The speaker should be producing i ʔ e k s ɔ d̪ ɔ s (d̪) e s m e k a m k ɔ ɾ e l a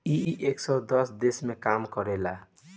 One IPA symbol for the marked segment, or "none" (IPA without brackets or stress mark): d̪